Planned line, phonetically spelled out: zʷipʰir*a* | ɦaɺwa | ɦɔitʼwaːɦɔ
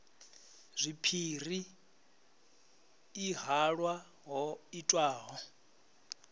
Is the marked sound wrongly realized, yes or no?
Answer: yes